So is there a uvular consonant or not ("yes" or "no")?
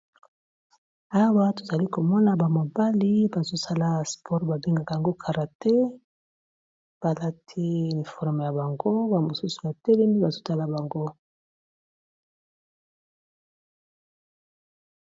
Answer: yes